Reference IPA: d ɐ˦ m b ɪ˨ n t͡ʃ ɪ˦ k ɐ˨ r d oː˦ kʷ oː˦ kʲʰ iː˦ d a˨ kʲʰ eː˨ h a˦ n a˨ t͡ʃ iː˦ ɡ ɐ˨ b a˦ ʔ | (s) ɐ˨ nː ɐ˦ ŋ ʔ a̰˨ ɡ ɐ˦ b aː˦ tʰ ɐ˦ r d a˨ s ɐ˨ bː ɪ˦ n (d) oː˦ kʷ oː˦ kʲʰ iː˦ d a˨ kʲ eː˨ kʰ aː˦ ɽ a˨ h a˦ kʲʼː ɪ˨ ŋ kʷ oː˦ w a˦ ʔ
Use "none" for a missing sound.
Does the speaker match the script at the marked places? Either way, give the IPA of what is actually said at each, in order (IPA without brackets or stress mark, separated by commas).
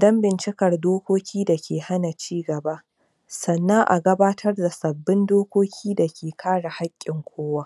s, d